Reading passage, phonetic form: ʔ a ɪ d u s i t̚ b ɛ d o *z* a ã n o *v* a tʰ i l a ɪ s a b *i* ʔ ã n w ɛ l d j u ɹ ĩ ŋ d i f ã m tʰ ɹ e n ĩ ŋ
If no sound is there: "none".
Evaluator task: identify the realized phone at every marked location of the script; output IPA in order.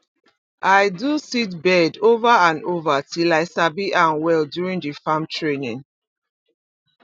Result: v, v, i

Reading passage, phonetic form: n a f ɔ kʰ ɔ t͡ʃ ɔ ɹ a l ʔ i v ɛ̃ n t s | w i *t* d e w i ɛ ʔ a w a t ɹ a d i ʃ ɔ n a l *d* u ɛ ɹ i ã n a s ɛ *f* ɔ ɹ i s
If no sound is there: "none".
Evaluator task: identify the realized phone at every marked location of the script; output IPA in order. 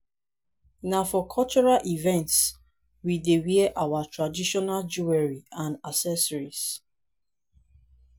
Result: none, d͡ʒ, s

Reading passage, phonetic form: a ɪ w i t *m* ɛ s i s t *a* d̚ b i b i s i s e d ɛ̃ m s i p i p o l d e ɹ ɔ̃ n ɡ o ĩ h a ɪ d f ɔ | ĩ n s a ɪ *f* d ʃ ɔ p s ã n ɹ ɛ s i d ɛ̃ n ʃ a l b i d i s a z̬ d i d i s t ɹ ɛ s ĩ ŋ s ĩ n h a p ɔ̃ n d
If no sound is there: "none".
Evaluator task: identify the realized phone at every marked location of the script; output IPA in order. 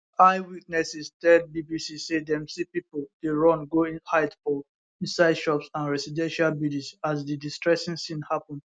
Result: n, ɛ, none

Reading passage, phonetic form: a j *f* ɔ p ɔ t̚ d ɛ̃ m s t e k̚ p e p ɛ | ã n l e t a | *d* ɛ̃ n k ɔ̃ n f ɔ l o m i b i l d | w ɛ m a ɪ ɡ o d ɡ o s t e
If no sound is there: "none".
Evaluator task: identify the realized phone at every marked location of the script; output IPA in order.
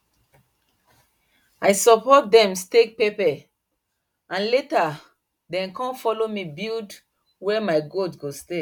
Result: s, d

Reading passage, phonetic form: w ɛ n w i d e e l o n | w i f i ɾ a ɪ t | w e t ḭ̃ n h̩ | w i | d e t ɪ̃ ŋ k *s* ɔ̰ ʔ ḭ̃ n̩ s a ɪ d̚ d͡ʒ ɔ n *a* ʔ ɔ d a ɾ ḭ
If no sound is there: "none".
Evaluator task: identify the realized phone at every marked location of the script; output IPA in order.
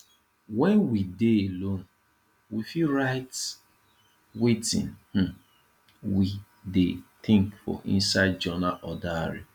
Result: f, a

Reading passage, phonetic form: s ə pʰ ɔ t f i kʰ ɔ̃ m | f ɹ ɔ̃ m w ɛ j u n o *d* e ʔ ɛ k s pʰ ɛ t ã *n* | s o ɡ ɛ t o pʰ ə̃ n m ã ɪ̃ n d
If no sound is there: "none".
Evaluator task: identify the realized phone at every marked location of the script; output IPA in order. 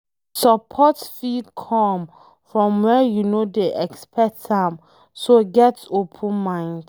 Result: d, m

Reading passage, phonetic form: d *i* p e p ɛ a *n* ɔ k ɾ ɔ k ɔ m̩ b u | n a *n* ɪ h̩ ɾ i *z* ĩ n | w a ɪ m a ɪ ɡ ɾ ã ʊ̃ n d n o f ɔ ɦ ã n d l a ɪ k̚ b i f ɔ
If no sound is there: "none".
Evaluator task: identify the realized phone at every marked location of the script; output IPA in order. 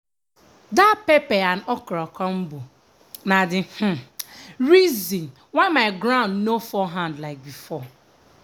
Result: a, n, d, z

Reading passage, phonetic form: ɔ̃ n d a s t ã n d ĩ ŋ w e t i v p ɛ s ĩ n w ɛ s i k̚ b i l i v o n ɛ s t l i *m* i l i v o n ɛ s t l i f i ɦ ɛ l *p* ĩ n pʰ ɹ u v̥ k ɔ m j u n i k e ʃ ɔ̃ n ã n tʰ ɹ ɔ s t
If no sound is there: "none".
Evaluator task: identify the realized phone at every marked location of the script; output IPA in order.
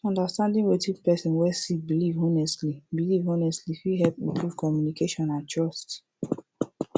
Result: b, p

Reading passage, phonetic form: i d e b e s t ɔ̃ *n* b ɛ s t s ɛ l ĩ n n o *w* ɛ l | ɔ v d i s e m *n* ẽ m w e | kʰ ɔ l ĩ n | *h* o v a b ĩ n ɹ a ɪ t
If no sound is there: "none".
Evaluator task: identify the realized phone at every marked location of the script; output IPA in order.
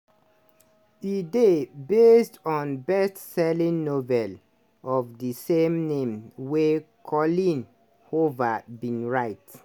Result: n, v, n, h

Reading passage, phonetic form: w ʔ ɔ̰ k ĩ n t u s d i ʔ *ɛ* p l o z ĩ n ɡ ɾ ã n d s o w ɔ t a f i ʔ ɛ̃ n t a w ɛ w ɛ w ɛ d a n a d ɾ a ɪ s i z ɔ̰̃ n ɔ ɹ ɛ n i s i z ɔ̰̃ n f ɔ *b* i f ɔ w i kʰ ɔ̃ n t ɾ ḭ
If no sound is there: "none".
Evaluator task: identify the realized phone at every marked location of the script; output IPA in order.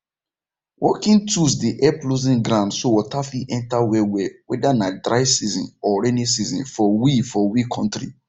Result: ɛ, w

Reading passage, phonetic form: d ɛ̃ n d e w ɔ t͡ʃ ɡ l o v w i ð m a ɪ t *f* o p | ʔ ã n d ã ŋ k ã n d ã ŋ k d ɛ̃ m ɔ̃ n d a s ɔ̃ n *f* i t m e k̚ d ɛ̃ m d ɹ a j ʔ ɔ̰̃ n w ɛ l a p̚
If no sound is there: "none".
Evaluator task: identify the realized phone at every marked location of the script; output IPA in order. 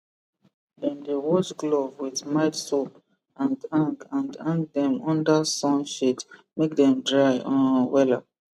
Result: s, ʃ

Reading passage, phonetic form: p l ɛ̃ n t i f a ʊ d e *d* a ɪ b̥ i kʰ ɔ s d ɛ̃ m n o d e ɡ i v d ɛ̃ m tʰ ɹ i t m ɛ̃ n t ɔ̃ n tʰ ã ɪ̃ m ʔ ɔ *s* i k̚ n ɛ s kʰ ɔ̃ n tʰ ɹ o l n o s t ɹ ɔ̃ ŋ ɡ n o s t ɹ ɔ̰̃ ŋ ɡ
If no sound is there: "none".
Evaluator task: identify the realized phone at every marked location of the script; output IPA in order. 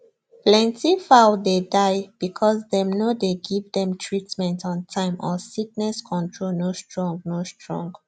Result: d, s

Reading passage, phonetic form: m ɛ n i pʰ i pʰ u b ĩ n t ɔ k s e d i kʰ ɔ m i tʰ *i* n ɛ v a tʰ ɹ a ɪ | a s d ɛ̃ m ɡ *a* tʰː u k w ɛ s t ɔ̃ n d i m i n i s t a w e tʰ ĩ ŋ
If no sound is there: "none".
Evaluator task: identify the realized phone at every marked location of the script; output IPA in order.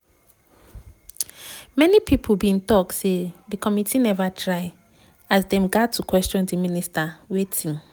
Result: i, a

